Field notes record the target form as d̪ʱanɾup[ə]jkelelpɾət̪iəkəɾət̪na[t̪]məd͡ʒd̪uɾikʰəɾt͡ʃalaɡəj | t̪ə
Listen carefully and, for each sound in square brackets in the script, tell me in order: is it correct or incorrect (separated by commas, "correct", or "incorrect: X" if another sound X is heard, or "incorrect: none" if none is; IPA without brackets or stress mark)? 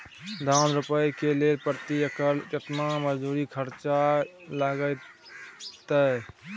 correct, incorrect: none